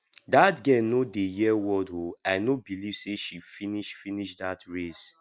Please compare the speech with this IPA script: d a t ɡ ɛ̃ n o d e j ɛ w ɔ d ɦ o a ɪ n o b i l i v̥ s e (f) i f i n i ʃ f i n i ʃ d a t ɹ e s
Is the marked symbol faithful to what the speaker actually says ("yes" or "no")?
no